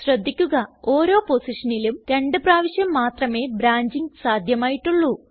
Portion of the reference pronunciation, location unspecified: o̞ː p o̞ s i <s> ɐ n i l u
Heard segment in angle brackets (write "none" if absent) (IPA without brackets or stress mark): ʂ